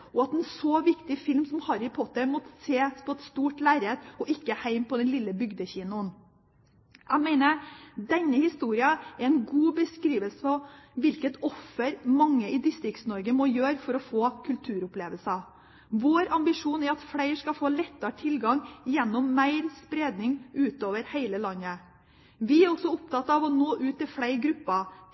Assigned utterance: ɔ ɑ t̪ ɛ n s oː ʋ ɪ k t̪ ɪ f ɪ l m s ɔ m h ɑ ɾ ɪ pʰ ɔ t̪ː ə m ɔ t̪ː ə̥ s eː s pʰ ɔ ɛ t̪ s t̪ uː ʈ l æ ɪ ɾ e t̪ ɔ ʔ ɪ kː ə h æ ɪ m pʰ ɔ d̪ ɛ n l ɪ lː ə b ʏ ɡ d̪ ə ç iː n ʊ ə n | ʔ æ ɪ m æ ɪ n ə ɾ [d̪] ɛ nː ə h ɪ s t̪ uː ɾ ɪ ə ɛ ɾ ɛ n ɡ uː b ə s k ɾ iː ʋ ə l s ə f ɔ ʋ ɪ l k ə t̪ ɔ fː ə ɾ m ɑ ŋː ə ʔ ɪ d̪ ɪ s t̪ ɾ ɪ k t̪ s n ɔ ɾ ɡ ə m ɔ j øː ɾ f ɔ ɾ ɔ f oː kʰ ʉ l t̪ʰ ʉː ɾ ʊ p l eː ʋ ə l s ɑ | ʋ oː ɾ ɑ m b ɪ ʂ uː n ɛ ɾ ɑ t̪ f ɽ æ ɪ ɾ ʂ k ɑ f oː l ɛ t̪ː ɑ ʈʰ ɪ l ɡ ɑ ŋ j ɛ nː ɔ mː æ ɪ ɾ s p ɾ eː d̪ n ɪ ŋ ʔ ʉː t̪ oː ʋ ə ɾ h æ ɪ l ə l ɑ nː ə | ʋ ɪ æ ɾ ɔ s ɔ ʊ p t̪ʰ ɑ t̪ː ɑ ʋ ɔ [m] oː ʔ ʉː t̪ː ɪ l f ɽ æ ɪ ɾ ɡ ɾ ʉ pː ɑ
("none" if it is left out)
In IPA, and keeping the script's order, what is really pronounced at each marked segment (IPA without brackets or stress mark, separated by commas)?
d̪, n